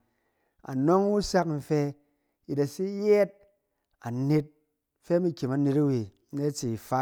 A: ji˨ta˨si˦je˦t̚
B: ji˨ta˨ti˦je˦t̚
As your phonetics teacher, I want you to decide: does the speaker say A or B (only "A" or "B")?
A